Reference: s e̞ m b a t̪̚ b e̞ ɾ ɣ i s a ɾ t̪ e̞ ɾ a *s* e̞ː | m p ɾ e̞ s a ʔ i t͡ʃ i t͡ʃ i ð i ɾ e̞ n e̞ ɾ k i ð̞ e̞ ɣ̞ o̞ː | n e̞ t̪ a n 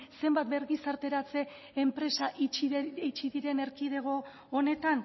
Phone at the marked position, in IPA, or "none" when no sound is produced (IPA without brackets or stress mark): t͡s